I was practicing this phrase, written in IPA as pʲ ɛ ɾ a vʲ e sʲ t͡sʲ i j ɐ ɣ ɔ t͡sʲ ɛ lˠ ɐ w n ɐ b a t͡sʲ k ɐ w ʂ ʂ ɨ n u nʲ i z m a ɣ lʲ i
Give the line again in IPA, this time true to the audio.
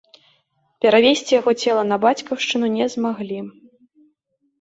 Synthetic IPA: pʲ ɛ ɾ a vʲ e sʲ t͡sʲ i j a ɣ ɔ t͡sʲ ɛ lˠ ɐ n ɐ b a t͡sʲ k ɐ w ʂ t͡ʂ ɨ n u nʲ ɛ z m a ɣ lʲ i